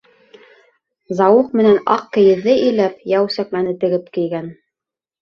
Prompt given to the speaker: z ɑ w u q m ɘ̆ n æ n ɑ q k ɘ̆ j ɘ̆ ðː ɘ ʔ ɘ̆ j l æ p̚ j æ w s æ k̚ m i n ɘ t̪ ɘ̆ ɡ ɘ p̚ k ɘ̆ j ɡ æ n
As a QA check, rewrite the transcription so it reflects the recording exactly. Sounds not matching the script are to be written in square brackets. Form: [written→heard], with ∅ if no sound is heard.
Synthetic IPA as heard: z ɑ w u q m ɘ̆ n æ n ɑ q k ɘ̆ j ɘ̆ ðː ɘ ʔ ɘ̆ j l æ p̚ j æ w s æ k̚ m [i→æ] n ɘ t̪ ɘ̆ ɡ ɘ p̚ k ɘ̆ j ɡ æ n